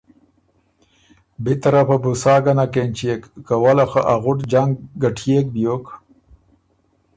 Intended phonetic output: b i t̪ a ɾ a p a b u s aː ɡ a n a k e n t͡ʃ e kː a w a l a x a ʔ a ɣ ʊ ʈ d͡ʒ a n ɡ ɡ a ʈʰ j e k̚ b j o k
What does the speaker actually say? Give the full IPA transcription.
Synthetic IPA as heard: b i t̪ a ɾ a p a b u s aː ɡ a n a k e n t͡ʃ e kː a w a l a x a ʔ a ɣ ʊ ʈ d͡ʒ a ŋ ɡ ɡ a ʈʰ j e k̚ b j o k